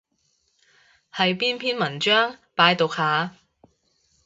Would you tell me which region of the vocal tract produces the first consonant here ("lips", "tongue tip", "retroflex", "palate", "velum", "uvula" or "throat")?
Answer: throat